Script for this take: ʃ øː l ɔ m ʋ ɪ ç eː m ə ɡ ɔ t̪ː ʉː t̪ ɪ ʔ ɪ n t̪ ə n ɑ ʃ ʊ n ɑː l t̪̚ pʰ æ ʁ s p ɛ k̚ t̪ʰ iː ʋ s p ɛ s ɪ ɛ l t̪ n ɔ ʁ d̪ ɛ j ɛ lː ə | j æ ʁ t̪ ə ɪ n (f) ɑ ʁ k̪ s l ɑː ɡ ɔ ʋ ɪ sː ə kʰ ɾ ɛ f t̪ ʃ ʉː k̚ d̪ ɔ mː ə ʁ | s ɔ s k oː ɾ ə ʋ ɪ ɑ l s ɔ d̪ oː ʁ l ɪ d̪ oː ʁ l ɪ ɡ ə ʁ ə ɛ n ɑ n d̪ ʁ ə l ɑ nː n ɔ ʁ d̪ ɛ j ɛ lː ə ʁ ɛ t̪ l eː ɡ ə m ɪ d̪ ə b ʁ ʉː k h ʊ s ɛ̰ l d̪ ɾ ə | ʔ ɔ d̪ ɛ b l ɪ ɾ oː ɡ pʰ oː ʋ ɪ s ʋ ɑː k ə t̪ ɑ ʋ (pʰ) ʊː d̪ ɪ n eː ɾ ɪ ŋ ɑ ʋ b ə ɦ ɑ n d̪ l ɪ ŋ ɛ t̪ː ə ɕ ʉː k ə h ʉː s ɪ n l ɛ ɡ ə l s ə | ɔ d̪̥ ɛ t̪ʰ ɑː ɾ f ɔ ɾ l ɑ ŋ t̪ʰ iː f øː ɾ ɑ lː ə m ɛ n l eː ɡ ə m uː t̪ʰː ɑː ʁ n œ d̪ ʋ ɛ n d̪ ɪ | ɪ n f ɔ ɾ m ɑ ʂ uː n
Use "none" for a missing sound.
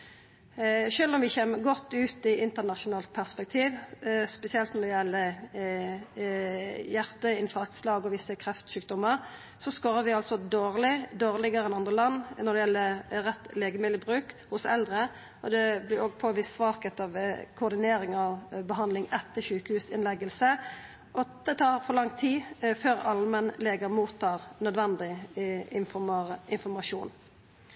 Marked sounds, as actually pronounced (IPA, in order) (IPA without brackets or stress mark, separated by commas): f, kʰ